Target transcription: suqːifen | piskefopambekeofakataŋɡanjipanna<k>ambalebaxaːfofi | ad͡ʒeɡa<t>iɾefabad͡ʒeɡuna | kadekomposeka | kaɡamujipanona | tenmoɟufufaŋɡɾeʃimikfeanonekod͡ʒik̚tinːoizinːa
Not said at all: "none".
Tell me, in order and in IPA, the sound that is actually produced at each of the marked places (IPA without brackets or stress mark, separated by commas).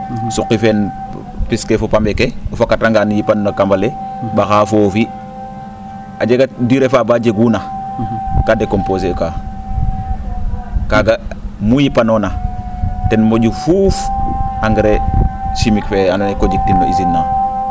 k, d